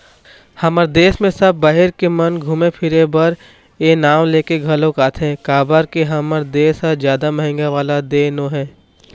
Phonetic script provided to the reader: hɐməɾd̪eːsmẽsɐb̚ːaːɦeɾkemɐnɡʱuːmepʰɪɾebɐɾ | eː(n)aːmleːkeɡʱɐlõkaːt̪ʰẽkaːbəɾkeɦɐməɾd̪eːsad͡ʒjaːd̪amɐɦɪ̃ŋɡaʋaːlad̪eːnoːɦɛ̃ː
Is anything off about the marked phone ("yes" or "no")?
no